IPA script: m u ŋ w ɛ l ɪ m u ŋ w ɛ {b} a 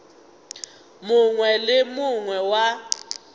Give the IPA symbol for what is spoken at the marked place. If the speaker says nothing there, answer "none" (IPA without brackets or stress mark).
w